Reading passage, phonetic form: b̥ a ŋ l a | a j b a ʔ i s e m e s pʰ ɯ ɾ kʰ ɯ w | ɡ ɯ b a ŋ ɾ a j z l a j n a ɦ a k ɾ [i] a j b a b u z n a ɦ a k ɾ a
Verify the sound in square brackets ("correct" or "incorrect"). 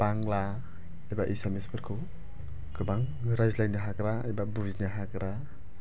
incorrect